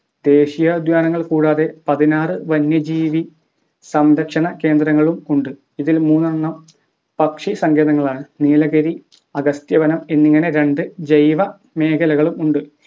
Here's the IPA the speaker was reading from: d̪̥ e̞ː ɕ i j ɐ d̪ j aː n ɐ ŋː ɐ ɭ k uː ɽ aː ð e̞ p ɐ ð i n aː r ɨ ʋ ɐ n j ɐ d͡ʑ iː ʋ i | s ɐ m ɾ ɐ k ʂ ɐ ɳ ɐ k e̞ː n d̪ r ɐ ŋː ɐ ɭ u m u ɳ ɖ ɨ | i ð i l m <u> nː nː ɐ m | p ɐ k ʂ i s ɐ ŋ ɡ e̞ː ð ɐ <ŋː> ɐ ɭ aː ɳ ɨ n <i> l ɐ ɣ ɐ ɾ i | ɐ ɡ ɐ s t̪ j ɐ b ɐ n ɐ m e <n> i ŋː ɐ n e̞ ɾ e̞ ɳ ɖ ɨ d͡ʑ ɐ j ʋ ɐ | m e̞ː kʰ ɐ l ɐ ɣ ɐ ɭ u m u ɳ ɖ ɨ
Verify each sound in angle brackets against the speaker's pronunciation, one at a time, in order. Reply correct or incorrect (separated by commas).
incorrect, correct, incorrect, incorrect